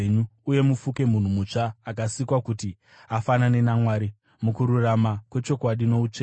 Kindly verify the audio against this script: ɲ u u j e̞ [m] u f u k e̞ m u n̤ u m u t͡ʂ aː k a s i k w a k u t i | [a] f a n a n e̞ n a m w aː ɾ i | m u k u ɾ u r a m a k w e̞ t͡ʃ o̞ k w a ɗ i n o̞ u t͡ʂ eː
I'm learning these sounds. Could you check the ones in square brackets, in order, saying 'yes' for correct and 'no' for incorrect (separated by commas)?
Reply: yes, yes